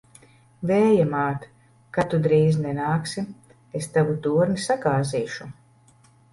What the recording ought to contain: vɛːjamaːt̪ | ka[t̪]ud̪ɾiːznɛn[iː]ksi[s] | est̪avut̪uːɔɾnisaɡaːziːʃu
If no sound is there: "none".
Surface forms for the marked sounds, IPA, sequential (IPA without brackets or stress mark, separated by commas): t̪, aː, none